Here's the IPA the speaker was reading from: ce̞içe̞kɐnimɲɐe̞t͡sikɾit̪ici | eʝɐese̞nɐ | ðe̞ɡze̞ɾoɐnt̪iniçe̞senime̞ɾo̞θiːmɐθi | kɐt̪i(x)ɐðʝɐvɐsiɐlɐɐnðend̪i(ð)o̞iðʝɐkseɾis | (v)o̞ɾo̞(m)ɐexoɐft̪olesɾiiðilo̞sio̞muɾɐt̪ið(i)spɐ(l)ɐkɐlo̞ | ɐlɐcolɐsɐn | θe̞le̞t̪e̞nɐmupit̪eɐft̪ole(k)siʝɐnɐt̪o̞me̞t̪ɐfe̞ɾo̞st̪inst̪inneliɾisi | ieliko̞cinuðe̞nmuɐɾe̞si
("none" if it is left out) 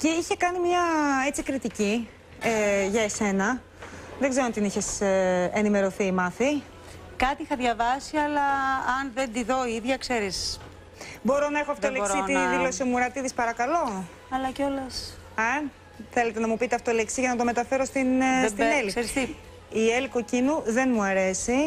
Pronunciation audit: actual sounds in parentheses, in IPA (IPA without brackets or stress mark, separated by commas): x, ð, b, n, i, ɾ, k